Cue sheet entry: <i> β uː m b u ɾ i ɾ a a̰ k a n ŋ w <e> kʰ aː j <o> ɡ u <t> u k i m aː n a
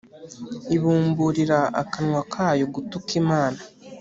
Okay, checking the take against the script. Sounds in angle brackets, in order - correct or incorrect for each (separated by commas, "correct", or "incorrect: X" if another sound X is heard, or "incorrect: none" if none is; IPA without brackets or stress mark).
correct, incorrect: a, correct, correct